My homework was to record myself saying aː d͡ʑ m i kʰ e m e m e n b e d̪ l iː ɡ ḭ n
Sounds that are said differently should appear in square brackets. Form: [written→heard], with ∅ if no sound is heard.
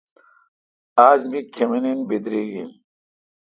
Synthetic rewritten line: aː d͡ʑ m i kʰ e m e [m→n] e n b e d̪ [l→ɾ] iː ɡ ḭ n